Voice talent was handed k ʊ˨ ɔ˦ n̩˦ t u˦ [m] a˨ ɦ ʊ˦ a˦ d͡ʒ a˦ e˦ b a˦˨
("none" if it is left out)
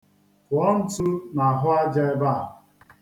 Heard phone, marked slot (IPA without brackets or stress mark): n